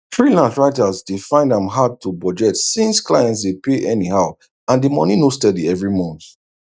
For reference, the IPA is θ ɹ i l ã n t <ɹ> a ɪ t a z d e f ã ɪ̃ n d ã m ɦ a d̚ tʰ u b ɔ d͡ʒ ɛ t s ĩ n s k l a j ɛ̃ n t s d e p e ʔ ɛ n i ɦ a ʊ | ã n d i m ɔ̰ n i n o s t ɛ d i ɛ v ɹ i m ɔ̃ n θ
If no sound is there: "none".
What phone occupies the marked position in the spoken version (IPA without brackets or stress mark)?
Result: ɹ